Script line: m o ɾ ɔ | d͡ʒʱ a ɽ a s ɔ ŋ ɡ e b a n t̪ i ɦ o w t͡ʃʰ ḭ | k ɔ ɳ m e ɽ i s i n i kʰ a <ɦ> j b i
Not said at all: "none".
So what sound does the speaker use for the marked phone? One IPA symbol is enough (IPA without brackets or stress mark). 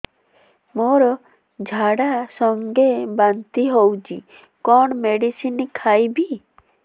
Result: none